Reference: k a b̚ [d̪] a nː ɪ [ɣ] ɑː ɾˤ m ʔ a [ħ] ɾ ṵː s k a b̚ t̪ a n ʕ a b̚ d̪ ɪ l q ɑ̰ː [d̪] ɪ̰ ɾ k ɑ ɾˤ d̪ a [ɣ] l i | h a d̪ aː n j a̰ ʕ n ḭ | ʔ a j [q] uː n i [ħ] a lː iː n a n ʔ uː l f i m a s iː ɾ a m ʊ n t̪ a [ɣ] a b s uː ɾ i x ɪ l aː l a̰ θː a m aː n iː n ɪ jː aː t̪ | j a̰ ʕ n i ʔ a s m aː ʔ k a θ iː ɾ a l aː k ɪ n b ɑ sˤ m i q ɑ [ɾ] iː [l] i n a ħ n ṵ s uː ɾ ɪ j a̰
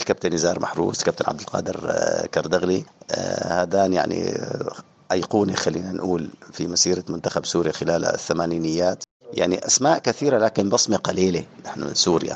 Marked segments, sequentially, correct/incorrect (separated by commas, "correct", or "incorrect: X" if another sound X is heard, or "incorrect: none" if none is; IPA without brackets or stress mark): incorrect: t̪, incorrect: z, correct, correct, correct, correct, incorrect: x, incorrect: x, incorrect: l, correct